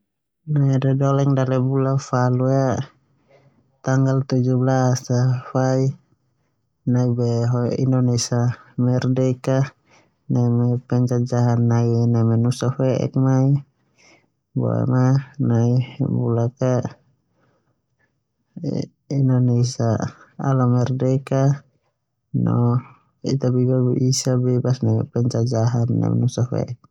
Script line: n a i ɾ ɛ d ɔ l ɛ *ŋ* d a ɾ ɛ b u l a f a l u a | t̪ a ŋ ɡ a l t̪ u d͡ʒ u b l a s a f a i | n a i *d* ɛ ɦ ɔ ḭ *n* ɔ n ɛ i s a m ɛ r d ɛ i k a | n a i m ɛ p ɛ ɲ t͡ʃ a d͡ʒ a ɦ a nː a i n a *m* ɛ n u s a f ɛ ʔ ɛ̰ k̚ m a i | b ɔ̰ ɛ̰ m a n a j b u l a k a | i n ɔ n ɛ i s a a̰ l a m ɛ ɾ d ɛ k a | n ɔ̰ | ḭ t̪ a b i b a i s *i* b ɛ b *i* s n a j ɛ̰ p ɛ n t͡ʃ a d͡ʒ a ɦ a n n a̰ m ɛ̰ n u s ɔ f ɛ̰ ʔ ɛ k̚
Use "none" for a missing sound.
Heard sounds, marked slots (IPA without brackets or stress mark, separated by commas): ŋ, b, n, m, a, a